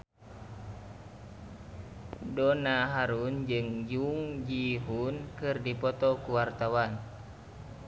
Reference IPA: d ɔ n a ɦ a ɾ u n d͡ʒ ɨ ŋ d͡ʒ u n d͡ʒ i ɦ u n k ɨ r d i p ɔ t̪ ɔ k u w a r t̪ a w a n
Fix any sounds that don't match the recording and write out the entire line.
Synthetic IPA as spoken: d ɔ n a ɦ a ɾ u n d͡ʒ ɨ ŋ d͡ʒ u ŋ d͡ʒ i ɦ u n k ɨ r d i p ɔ t̪ ɔ k u w a r t̪ a w a n

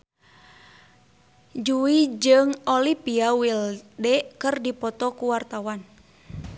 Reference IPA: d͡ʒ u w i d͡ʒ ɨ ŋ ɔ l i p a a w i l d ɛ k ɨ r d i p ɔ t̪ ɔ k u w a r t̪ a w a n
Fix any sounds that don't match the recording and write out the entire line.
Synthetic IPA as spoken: d͡ʒ u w i d͡ʒ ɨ ŋ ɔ l i p i a w i l d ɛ k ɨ r d i p ɔ t̪ ɔ k u w a r t̪ a w a n

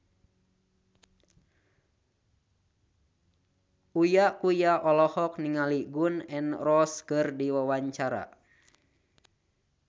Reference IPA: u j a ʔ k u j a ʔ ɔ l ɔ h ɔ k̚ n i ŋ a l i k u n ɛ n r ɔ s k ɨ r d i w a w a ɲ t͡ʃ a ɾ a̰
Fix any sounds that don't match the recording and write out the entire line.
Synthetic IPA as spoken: u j a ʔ k u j a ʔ ɔ l ɔ h ɔ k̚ n i ŋ a l i ɡ u n ɛ n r ɔ s k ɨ r d i w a w a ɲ t͡ʃ a ɾ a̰

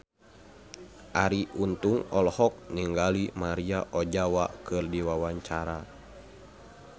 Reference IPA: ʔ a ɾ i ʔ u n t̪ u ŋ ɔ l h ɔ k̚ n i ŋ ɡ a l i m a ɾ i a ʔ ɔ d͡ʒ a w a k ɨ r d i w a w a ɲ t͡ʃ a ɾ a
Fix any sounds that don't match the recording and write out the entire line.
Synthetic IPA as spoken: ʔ a ɾ i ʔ u n t̪ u ŋ ɔ l h ɔ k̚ n i ŋ ɡ a l i m a ɾ i a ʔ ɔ d͡ʒ a w a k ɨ r d i w a w a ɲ t͡ʃ a ɾ a

